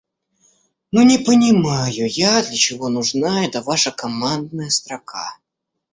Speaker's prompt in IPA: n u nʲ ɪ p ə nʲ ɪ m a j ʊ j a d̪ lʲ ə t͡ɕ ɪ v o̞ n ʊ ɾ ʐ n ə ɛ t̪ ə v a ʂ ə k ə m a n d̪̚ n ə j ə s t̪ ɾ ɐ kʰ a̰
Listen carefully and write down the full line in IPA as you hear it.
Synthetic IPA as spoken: n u nʲ ɪ p ə nʲ ɪ m a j ʊ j a d̪ lʲ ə t͡ɕ ɪ v o̞ n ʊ ʐ n a ɛ t̪ ə v a ʂ ə k ɐ m a n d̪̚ n ə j ə s t̪ ɾ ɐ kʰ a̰